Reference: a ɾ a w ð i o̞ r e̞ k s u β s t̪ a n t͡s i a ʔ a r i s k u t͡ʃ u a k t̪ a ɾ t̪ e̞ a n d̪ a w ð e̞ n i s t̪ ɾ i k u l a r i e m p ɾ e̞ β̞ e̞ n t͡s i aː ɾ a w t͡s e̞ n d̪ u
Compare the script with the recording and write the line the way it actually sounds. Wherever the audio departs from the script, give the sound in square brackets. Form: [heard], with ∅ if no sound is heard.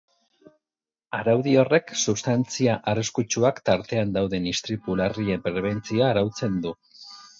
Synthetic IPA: a ɾ a w ð i o̞ r e̞ k s u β s t̪ a n t͡s i a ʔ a r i s k u t͡ʃ u a k t̪ a ɾ t̪ e̞ a n d̪ a w ð e̞ n i s t̪ ɾ i [p] u l a r i e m p ɾ e̞ β̞ e̞ n t͡s i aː ɾ a w t͡s e̞ n d̪ u